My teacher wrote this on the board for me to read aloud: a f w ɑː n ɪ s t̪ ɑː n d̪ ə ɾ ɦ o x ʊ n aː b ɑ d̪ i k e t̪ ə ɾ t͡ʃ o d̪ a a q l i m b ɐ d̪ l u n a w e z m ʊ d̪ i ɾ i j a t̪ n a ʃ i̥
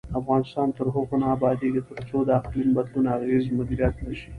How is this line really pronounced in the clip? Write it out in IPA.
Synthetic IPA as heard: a f ɣ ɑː n ɪ s t̪ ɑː n t̪ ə ɾ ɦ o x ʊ n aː b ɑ d̪ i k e t̪ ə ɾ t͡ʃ o d̪ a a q l i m b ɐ d̪ l u n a ɣ e z m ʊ d̪ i ɾ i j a t̪ n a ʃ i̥